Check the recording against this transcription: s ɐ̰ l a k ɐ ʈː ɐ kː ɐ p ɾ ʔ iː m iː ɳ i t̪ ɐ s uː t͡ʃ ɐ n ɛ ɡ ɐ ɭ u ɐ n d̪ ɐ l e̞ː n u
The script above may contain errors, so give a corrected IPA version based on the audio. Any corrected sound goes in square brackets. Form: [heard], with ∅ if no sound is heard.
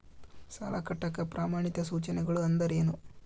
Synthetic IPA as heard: s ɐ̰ l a k ɐ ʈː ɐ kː ɐ p ɾ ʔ [aː] m [aː] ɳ i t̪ ɐ s uː t͡ʃ ɐ n ɛ ɡ ɐ ɭ u ɐ n d̪ ɐ [ɾ] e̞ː n u